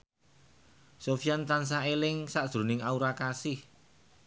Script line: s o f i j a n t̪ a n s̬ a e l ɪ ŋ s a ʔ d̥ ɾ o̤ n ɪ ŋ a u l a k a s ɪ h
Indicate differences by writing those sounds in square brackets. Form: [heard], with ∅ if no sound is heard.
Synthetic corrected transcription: s o f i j a n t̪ a n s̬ a e l ɪ ŋ s a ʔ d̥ ɾ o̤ n ɪ ŋ a u [ɾ] a k a s ɪ h